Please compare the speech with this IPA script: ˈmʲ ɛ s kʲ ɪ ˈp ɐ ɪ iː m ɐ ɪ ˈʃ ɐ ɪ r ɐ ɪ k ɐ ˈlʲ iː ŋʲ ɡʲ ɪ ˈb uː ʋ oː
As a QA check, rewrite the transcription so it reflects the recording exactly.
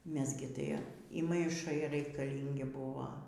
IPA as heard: ˈmʲ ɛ s ɡʲ ɪ ˈt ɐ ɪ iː m ɐ ɪ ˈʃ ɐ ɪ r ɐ ɪ k ɐ ˈlʲ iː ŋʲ ɡʲ ɪ ˈb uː ʋ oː